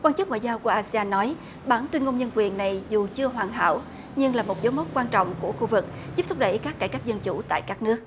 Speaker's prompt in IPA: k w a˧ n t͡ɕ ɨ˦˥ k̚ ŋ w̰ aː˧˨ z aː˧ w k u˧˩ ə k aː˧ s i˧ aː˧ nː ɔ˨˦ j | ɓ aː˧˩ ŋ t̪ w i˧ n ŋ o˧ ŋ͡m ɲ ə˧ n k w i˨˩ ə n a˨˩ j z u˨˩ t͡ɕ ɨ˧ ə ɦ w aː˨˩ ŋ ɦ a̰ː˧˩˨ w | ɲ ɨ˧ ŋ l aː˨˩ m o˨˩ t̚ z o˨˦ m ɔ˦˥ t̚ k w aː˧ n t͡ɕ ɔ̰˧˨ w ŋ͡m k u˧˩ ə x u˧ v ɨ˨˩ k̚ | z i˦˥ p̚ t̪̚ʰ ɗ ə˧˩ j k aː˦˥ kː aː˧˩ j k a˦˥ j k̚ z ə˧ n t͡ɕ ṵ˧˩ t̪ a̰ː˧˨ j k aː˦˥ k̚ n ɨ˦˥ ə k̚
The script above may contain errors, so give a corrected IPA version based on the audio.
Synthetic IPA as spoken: k w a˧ n t͡ɕ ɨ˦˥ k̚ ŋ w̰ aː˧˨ z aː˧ w k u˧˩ ə ʔ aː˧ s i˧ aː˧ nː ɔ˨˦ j | ɓ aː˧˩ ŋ t̪ w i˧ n ŋ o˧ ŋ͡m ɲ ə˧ n k w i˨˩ ə nː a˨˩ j z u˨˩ t͡ɕ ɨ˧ ə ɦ w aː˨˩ ŋ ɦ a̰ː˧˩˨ w | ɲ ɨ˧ ŋ l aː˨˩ m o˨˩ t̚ z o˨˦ m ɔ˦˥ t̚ k w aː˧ n t͡ɕ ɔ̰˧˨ w ŋ͡m k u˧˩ ə x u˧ v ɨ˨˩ k̚ | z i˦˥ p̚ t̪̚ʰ ɗ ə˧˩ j k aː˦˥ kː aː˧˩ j k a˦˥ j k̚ z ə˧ n t͡ɕ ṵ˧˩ t̪ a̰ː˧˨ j k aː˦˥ k̚ n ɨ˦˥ ə k̚